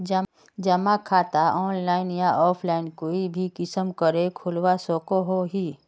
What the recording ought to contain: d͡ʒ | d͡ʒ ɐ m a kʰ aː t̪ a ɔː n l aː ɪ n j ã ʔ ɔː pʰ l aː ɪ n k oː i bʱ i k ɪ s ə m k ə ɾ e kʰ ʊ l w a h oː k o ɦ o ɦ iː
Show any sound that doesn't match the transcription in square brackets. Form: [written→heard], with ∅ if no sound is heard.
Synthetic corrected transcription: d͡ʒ | d͡ʒ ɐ m a kʰ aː t̪ a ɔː n l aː ɪ n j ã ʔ ɔː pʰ l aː ɪ n k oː i bʱ i k ɪ s ə m k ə ɾ e kʰ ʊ l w a [h→s] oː k o ɦ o ɦ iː